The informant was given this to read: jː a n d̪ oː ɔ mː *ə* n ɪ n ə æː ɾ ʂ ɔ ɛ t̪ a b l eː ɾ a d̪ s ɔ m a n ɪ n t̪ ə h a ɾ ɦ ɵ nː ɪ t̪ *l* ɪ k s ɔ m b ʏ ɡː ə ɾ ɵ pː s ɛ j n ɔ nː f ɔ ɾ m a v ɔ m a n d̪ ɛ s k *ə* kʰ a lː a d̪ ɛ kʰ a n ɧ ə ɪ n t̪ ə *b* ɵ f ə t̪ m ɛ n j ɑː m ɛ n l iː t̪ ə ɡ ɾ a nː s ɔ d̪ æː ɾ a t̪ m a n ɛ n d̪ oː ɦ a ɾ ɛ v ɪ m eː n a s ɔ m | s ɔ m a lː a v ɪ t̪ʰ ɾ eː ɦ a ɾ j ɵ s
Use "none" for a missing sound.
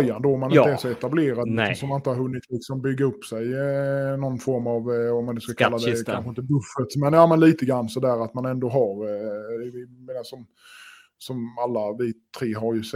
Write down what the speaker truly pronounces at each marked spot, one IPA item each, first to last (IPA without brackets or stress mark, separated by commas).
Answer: a, l, a, b